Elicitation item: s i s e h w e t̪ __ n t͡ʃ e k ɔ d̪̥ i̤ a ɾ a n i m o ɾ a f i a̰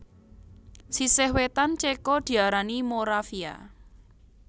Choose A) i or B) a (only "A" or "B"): B